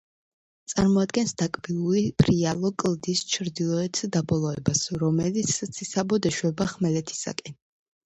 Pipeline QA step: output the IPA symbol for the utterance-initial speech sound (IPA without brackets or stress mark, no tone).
t̪